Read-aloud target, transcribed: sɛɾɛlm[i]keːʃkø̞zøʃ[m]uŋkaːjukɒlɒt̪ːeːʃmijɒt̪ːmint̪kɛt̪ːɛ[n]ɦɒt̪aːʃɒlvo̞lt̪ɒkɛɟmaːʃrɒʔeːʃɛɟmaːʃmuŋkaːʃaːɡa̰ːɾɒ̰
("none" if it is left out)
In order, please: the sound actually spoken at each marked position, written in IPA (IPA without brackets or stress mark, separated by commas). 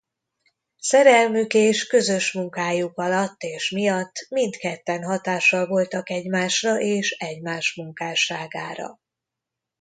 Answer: y, m, n